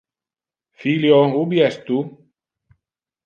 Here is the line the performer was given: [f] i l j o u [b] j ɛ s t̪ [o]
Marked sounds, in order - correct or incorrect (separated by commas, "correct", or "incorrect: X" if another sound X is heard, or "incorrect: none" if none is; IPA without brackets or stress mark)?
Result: correct, correct, incorrect: u